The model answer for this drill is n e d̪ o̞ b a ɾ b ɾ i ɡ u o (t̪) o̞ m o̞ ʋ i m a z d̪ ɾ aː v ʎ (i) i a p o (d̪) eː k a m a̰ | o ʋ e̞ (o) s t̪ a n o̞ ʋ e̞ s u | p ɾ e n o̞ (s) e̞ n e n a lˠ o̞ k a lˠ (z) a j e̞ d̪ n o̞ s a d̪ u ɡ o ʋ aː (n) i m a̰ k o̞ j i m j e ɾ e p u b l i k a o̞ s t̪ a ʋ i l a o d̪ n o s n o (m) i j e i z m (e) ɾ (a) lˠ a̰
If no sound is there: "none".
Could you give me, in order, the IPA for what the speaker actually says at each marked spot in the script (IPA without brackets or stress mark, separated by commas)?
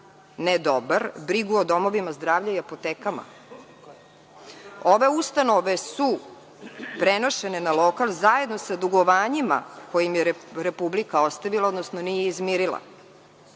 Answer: d̪, a, t̪, u, ʃ, z, ɲ, n, i, i